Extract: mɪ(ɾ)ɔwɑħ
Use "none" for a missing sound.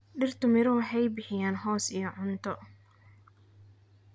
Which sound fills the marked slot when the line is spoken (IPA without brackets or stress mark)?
ɾ